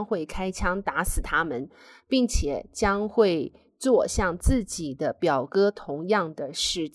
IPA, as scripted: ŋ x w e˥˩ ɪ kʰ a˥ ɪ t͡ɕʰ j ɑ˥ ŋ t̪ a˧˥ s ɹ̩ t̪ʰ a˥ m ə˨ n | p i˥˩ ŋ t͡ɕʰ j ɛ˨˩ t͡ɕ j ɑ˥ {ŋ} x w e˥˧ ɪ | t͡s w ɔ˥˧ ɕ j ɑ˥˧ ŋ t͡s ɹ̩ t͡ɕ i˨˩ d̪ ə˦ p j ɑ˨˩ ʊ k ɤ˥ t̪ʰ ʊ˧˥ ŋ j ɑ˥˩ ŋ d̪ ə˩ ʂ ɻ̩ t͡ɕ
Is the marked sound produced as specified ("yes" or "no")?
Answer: yes